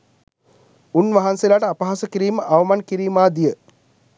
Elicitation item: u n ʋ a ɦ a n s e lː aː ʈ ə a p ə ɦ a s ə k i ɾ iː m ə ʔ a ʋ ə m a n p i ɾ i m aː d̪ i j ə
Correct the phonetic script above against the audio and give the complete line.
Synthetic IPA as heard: u n ʋ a ɦ a n s e l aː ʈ ə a p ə ɦ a s ə k i ɾ iː m ə ʔ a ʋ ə m a n k i ɾ iː m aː d̪ i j ə

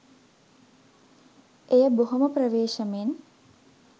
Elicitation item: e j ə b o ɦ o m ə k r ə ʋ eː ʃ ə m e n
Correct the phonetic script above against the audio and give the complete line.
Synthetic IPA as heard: e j ə b o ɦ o m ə p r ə ʋ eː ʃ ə m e n

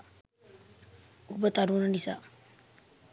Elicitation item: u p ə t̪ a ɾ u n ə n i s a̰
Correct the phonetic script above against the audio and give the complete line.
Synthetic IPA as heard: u b ə t̪ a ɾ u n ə n i s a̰

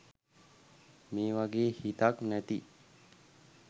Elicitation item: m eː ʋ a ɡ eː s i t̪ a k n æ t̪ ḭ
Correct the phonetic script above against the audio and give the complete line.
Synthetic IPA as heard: m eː ʋ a ɡ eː h i t̪ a k n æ t̪ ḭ

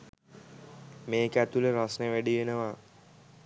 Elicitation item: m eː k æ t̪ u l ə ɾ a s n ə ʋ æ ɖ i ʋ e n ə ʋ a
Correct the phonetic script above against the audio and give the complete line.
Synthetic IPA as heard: m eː k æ t̪ u l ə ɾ a s n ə ʋ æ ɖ i ʋ e n ə ʋ a

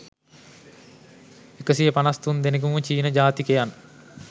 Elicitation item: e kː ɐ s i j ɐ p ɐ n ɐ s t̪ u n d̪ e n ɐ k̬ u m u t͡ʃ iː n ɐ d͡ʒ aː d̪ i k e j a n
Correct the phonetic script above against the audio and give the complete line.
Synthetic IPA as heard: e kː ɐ s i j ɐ p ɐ n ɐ s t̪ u n d̪ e n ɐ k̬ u m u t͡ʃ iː n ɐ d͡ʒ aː t̪ i k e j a n

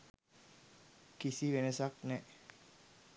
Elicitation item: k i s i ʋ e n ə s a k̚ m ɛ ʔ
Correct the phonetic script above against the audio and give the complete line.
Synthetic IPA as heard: k i s i ʋ e n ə s a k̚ n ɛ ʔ

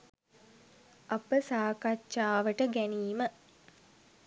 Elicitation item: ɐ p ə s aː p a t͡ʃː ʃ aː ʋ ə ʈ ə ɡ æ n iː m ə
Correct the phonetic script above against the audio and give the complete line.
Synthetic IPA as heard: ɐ p ə s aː k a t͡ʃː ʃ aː ʋ ə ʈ ə ɡ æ n iː m ə

